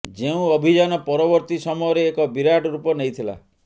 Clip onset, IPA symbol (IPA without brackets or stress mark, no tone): d͡ʒ